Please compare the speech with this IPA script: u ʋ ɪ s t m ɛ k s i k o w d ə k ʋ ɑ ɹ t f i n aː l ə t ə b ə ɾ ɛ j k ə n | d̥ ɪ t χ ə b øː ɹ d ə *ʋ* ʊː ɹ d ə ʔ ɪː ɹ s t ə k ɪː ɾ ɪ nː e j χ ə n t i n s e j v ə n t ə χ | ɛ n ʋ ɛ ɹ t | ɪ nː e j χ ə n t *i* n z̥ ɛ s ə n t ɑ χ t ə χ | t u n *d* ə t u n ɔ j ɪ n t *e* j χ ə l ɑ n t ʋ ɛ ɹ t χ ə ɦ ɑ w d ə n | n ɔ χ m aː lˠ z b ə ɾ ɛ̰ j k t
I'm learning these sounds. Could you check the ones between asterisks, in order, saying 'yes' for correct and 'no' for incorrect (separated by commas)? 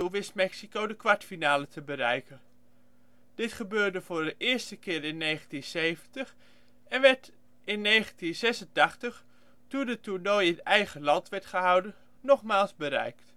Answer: no, yes, yes, no